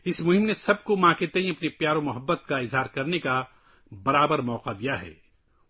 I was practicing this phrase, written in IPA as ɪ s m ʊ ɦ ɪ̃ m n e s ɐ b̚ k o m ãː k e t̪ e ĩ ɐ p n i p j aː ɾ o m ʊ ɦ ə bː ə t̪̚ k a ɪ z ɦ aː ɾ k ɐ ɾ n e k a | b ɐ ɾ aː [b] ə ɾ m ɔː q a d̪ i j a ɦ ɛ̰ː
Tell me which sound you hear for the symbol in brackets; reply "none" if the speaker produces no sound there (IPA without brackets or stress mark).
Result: b